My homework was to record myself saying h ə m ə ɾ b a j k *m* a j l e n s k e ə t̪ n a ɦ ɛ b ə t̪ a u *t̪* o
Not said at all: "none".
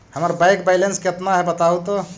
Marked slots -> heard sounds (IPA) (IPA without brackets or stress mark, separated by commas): b, t̪